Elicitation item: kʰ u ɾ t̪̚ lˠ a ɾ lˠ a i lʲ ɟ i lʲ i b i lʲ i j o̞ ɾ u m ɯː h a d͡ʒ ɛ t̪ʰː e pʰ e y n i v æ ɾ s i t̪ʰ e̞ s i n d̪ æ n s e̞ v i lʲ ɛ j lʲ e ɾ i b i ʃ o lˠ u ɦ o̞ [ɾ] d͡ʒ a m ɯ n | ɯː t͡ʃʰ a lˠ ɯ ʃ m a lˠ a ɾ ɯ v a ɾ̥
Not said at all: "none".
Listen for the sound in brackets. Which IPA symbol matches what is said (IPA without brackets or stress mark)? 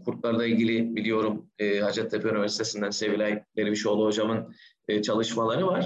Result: none